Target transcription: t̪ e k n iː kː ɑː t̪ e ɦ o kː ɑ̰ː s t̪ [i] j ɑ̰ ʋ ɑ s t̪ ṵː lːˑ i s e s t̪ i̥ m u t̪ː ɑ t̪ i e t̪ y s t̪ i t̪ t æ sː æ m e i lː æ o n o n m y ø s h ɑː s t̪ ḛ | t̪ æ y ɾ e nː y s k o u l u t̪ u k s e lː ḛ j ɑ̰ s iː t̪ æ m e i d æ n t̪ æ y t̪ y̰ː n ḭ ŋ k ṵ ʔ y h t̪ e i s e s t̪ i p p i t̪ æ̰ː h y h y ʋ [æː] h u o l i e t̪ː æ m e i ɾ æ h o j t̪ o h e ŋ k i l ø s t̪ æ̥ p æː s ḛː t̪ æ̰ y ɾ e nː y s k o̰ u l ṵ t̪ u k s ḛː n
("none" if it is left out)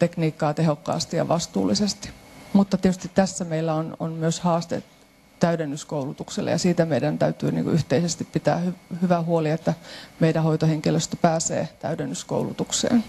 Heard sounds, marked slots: i, æ

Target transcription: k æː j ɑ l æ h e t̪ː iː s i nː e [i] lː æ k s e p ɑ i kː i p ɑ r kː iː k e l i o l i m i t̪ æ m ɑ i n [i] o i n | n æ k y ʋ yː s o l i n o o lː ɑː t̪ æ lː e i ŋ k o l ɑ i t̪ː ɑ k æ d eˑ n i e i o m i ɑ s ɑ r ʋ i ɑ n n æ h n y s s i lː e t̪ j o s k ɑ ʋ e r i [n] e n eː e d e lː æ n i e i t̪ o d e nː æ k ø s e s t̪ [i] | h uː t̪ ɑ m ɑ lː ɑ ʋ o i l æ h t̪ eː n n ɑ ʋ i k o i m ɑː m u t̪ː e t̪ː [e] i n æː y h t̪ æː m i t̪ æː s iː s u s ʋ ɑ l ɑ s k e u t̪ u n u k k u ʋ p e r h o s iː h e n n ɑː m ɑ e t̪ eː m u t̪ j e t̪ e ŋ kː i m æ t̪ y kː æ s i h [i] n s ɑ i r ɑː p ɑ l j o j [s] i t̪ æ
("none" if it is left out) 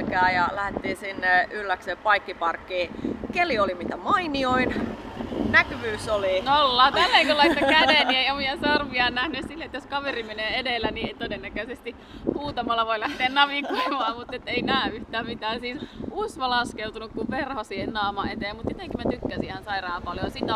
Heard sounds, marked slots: y, i, m, i, e, æ, s

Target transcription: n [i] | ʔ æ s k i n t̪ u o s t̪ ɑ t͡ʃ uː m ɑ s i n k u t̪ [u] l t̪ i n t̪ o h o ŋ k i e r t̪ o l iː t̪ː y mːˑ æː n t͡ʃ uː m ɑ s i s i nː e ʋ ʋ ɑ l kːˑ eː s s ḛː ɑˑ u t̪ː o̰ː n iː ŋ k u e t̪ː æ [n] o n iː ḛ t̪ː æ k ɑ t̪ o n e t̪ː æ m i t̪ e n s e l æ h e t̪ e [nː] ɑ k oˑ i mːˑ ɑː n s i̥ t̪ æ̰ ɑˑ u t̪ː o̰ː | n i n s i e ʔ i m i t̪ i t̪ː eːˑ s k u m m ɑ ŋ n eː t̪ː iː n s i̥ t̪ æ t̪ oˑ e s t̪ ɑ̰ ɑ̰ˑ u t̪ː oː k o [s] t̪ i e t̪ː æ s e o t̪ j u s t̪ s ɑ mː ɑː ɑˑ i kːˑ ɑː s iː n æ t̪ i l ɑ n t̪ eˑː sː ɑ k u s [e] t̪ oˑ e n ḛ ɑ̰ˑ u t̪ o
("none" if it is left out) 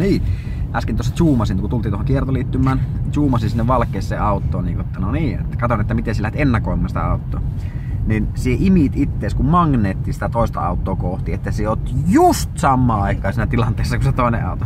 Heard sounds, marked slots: iː, u, n, nː, h, e

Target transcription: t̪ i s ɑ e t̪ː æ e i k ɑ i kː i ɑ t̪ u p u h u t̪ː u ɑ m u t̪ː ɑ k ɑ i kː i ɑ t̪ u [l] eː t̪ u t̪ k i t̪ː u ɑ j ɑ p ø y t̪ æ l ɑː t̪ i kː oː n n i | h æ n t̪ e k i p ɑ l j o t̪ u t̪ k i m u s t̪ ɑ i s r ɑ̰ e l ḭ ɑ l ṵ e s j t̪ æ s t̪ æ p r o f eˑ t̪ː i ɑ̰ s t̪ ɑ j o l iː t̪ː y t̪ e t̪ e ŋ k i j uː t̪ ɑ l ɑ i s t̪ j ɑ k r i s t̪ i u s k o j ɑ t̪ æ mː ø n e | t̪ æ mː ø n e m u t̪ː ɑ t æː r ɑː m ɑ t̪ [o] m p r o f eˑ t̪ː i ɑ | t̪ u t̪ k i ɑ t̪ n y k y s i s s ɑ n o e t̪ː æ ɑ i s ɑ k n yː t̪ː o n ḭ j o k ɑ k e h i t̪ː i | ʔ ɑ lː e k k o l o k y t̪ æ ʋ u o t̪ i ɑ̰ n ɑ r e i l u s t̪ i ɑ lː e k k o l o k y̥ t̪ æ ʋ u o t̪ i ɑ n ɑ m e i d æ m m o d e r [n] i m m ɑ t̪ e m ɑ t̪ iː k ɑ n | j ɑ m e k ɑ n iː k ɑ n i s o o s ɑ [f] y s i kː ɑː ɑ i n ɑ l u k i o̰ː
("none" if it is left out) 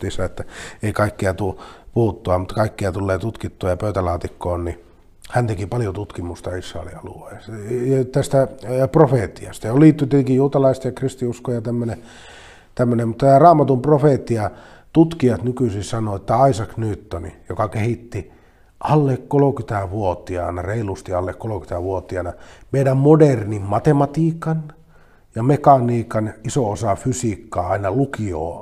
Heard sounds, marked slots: lː, u, n, f

